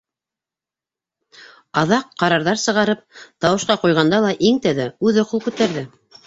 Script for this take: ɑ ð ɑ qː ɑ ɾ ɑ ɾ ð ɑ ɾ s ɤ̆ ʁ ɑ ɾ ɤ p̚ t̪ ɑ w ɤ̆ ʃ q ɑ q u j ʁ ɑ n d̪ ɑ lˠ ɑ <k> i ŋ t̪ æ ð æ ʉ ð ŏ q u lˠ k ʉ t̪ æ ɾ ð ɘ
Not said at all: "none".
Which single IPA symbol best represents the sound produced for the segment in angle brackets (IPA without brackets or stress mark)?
ʔ